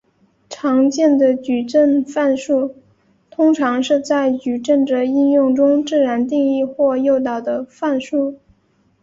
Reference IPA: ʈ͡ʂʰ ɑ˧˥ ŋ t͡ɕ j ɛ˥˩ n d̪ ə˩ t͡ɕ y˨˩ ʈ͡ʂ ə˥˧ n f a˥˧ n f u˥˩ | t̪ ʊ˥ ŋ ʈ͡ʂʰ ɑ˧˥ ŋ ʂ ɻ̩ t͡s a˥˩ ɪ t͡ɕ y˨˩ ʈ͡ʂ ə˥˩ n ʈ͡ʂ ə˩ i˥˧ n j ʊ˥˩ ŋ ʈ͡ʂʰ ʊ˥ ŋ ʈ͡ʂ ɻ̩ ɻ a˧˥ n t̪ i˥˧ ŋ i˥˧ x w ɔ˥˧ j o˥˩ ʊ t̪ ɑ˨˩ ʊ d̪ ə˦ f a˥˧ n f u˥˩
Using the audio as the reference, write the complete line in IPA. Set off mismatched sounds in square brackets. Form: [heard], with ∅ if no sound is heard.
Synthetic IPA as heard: ʈ͡ʂʰ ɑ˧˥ ŋ t͡ɕ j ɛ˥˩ n d̪ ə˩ t͡ɕ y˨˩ ʈ͡ʂ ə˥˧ n f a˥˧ n [ʂ] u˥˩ | [t̪ʰ] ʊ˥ ŋ ʈ͡ʂʰ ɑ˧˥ ŋ ʂ ɻ̩ t͡s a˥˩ ɪ t͡ɕ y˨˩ ʈ͡ʂ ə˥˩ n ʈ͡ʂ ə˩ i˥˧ n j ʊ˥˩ ŋ [ʈ͡ʂ] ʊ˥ ŋ ʈ͡ʂ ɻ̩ ɻ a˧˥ n t̪ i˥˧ ŋ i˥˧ x w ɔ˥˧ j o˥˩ ʊ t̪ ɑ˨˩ ʊ d̪ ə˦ f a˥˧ n [ʂ] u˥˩

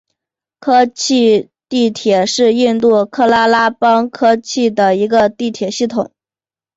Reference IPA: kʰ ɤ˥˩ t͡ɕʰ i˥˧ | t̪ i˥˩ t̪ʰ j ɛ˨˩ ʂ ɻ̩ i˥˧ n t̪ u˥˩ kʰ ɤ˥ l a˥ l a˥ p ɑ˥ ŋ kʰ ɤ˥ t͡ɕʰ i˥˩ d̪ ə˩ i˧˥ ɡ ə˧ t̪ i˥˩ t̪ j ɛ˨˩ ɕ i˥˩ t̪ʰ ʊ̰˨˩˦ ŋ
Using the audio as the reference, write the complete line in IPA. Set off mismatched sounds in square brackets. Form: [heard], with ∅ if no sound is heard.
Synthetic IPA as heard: kʰ [ɤ˥] t͡ɕʰ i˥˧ | t̪ i˥˩ t̪ʰ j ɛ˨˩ ʂ ɻ̩ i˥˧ n t̪ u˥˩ kʰ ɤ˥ l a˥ l a˥ p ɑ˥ ŋ kʰ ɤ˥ t͡ɕʰ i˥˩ d̪ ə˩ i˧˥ ɡ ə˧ t̪ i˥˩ [t̪ʰ] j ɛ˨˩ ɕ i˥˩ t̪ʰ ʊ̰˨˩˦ ŋ

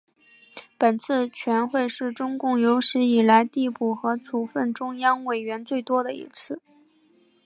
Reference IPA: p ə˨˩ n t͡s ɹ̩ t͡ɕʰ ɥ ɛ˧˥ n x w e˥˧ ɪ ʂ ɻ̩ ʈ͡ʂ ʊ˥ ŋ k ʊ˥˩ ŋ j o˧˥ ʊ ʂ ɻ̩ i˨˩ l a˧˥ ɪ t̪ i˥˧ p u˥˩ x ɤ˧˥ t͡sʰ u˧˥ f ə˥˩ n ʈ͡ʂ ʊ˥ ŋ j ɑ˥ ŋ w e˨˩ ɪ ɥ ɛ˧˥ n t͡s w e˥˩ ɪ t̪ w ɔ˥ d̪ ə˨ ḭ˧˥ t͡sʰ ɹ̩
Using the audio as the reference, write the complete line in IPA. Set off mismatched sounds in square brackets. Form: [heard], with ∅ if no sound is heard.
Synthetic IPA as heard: p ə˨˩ n [t͡sʰ] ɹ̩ t͡ɕʰ ɥ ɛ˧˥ n x w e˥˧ ɪ ʂ ɻ̩ ʈ͡ʂ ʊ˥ ŋ k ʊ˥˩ ŋ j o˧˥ ʊ ʂ ɻ̩ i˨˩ l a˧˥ ɪ t̪ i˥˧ p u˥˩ x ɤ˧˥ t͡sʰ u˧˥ f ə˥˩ n ʈ͡ʂ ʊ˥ ŋ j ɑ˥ ŋ w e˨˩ ɪ ɥ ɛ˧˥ n t͡s w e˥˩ ɪ t̪ w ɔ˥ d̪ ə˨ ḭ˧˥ t͡sʰ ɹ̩

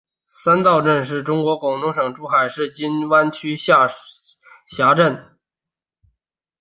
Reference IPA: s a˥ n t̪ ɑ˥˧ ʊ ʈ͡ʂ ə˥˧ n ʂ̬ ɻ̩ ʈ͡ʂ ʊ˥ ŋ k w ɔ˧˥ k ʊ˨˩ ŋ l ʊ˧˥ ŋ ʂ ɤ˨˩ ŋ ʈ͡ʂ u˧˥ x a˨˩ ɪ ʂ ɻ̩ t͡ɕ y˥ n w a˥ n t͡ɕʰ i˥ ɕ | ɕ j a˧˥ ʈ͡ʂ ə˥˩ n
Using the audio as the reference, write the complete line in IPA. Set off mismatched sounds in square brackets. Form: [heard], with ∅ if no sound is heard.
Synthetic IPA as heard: s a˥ n t̪ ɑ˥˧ ʊ ʈ͡ʂ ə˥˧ n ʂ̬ ɻ̩ ʈ͡ʂ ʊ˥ ŋ k w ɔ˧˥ k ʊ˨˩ ŋ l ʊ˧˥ ŋ ʂ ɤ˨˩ ŋ ʈ͡ʂ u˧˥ x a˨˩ ɪ ʂ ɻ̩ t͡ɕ [i˥] n w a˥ n t͡ɕʰ [y˥] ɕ | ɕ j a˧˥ ʈ͡ʂ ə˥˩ n

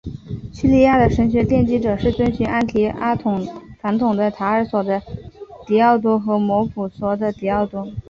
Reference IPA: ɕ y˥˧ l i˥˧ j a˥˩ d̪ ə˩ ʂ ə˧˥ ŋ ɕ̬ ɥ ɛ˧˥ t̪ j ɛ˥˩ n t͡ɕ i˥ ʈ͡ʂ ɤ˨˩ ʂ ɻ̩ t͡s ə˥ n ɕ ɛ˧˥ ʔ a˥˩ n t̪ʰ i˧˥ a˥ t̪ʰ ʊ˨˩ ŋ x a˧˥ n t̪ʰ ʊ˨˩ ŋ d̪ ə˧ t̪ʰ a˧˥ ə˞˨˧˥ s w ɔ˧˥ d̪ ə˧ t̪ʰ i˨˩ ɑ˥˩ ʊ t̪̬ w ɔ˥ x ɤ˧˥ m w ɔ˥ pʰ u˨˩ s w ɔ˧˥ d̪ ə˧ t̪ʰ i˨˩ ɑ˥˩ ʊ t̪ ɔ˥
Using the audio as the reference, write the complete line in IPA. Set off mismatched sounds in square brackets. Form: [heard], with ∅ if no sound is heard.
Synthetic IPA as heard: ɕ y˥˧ l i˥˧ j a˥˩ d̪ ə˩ ʂ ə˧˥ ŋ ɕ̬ ɥ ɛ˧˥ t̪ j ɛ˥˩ n t͡ɕ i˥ ʈ͡ʂ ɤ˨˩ ʂ ɻ̩ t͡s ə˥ n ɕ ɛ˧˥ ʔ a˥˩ n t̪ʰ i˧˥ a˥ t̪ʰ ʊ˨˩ ŋ [f] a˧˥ n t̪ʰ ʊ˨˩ ŋ d̪ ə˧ t̪ʰ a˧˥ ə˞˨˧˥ s w [ɔ˨˩] d̪ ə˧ [t̪] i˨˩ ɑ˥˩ ʊ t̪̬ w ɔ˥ x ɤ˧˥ m w [ɔ˧˥] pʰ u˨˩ s w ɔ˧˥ d̪ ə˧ [t̪] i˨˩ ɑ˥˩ ʊ t̪ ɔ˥

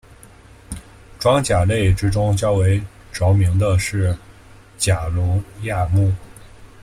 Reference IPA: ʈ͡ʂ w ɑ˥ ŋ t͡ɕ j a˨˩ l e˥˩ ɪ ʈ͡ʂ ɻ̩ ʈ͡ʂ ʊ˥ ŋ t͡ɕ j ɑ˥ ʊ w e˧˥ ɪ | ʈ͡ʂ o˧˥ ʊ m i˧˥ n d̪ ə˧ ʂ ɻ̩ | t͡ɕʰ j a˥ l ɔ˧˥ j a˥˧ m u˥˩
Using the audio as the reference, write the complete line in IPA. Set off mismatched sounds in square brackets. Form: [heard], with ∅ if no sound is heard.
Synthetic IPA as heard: ʈ͡ʂ w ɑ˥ ŋ t͡ɕ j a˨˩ l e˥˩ ɪ ʈ͡ʂ ɻ̩ ʈ͡ʂ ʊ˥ ŋ t͡ɕ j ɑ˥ ʊ w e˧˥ ɪ | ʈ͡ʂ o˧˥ ʊ m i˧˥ [ŋ] d̪ ə˧ ʂ ɻ̩ | [t͡ɕ] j [a˨˩] l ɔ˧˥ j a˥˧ m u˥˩

